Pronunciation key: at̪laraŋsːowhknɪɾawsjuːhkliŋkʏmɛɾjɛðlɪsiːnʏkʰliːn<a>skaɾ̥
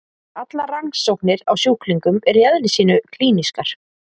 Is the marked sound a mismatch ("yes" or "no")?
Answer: yes